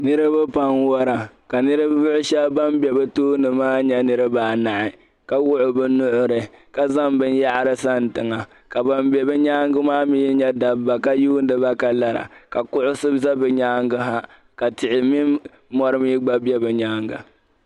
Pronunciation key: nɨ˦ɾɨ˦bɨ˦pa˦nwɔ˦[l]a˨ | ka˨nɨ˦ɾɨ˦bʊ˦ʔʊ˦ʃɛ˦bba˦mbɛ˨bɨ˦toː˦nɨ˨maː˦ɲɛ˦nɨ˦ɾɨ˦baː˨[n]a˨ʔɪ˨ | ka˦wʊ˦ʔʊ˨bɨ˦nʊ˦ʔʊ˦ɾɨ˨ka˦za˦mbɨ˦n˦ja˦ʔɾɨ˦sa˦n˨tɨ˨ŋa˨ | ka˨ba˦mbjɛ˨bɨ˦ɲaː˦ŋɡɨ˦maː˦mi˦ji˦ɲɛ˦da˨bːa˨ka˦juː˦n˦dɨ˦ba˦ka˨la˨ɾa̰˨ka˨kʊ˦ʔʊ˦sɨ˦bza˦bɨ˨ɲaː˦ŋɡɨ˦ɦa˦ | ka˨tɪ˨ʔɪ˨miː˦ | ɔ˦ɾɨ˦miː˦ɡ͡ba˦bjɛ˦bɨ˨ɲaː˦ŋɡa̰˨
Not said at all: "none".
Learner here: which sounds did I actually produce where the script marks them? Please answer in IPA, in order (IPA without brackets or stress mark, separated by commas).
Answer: ɾ, n